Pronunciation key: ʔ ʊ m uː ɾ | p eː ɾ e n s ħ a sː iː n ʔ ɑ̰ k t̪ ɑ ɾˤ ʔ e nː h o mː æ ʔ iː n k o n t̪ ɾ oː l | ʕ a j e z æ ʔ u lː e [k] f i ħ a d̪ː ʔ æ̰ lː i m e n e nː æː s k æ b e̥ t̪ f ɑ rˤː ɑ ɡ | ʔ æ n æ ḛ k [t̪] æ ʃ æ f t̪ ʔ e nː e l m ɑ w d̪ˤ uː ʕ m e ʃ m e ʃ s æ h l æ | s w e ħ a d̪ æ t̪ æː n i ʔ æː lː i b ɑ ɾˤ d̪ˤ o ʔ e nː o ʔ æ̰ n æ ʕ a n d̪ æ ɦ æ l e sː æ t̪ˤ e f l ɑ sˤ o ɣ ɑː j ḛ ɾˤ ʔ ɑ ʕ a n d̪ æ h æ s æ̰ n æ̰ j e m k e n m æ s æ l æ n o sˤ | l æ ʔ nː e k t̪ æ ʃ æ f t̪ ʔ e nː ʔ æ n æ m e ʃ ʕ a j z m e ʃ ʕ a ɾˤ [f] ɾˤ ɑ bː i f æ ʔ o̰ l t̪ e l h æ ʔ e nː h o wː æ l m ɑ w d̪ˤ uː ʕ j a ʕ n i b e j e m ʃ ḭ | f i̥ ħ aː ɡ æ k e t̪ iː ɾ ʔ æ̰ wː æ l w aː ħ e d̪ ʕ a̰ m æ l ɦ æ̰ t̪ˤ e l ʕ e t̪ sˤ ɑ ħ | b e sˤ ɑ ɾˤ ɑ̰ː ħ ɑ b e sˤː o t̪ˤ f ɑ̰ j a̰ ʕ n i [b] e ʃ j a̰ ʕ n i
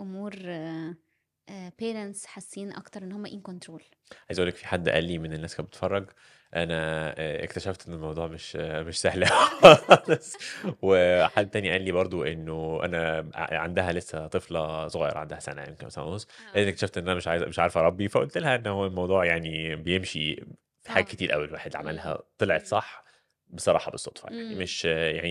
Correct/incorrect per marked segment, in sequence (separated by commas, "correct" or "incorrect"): correct, correct, correct, incorrect